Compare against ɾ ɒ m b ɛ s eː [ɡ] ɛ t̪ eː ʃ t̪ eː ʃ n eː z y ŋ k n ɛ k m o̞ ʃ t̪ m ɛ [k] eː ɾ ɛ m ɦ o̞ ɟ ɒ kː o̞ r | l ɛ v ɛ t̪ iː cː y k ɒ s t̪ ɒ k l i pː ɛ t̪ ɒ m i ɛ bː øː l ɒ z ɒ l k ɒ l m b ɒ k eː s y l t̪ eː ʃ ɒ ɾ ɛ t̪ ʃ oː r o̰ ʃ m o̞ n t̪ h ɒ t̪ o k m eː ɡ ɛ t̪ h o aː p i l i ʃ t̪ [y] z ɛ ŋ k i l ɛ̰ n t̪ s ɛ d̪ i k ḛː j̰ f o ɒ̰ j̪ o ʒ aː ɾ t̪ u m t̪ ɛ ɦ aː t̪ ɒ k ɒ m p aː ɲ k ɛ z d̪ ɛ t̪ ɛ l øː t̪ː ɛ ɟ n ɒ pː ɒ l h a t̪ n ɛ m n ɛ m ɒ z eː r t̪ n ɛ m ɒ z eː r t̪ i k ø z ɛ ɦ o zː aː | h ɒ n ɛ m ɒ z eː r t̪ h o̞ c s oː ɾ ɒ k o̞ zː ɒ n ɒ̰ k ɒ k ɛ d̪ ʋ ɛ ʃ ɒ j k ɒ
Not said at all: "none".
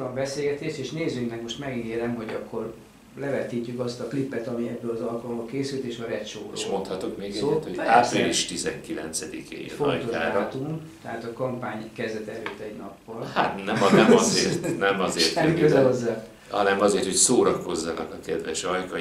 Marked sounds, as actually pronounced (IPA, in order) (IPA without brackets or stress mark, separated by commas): ɡ, ɡ, i